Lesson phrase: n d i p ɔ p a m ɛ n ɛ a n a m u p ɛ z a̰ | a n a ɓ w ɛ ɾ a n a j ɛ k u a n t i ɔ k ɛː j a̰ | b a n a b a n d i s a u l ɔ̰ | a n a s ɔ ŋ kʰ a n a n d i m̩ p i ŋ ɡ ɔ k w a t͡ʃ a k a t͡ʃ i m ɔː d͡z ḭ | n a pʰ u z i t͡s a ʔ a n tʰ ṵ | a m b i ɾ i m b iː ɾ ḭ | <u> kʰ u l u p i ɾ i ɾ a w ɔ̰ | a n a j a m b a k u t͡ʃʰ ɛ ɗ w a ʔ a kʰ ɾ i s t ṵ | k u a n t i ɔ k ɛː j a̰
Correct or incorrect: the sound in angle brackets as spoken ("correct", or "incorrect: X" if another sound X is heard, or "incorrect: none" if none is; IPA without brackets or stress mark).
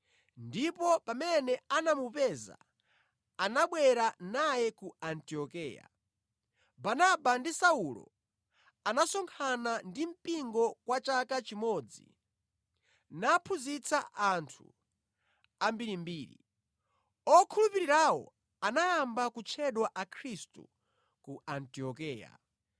incorrect: ɔ